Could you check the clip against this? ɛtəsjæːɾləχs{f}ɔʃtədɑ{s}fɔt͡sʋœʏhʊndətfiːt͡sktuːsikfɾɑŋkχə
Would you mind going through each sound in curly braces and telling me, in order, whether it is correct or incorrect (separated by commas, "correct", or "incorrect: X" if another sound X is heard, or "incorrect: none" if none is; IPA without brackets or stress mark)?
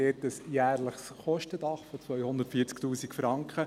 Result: incorrect: χ, incorrect: χ